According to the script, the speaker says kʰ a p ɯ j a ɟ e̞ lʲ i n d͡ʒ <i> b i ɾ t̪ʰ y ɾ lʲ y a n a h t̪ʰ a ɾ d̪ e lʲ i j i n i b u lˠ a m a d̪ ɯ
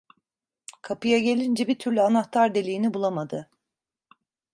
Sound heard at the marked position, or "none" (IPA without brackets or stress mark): ɛ